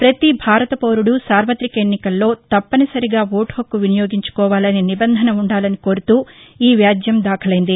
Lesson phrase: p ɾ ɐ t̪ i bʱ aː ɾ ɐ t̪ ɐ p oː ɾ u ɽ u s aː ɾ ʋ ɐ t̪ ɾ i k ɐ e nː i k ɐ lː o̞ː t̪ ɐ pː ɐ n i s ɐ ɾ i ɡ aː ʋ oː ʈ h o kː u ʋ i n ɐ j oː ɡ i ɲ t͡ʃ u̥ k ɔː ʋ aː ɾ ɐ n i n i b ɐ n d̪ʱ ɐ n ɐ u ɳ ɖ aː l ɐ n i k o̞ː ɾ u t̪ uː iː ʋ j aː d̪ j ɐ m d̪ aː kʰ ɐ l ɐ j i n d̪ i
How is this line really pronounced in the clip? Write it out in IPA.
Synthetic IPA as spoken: p ɾ ɐ t̪ i bʱ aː ɾ ɐ t̪ ɐ p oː ɾ u ɽ u s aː ɾ ʋ ɐ t̪ ɾ i k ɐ e nː i k ɐ lː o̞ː t̪ ɐ pː ɐ n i s ɐ ɾ i ɡ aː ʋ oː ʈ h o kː u ʋ i n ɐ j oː ɡ i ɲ t͡ʃ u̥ k ɔː ʋ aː l ɐ n i n i b ɐ n d̪ʱ ɐ n ɐ u ɳ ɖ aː l ɐ n i k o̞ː ɾ u t̪ uː iː ʋ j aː d̪ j ɐ m d̪ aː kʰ ɐ l ɐ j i n d̪ i